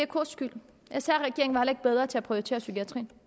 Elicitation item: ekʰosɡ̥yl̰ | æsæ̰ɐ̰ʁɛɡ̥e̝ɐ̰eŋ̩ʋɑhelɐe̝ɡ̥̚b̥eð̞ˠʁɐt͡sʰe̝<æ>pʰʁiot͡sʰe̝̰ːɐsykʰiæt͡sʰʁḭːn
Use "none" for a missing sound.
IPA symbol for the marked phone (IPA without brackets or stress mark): æ